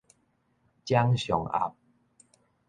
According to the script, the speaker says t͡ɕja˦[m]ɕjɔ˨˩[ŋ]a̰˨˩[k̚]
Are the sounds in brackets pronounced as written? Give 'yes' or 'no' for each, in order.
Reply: no, yes, no

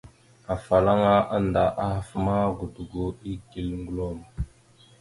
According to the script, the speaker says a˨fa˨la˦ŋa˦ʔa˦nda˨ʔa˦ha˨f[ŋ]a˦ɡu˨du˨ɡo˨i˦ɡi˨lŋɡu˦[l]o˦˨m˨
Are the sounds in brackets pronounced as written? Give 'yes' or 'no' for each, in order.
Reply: no, yes

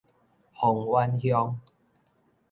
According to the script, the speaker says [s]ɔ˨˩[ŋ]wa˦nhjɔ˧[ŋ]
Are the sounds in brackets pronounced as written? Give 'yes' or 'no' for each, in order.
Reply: no, yes, yes

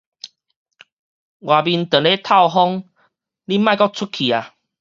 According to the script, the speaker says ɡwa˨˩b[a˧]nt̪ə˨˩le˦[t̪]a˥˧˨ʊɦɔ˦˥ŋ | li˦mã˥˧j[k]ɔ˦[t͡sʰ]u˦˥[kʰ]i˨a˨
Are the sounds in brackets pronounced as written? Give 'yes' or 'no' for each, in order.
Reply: no, no, yes, yes, yes

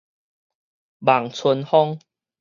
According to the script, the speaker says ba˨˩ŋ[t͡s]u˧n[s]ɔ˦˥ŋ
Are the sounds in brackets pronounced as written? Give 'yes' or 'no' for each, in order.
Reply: no, no

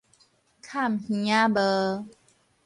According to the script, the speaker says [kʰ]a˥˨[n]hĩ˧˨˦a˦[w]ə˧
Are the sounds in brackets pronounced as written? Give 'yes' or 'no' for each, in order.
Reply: yes, no, no

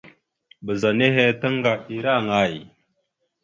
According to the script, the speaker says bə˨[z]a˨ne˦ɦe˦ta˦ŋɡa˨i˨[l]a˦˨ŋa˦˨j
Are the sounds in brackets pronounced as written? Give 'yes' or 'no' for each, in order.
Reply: yes, no

